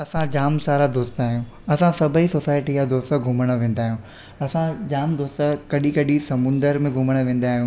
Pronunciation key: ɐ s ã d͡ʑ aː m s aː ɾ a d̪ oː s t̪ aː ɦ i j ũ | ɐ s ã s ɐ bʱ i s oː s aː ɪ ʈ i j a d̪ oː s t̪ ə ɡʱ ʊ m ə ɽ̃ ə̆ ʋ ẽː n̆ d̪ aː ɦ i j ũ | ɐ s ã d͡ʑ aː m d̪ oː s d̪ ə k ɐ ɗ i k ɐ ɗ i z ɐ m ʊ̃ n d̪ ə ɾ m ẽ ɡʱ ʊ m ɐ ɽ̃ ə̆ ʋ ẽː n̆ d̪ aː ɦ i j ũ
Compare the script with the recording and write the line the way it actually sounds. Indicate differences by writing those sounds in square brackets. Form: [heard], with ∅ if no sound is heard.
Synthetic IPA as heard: ɐ s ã d͡ʑ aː m s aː ɾ a d̪ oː s t̪ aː ɦ i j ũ | ɐ s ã s ɐ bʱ i s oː s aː ɪ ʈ i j a d̪ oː s t̪ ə ɡʱ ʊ m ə ɽ̃ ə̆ ʋ ẽː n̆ d̪ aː ɦ i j ũ | ɐ s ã d͡ʑ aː m d̪ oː s [t̪] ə k ɐ ɗ i k ɐ ɗ i [s] ɐ m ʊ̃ n d̪ ə ɾ m ẽ ɡʱ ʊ m [ə] ɽ̃ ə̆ ʋ ẽː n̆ d̪ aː ɦ i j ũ